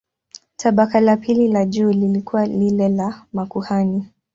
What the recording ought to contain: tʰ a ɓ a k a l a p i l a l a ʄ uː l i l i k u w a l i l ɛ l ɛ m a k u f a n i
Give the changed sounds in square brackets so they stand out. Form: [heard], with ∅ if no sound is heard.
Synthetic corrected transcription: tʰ a ɓ a k a l a p i l [i] l a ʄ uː l i l i k u w a l i l ɛ l [a] m a k u [h] a n i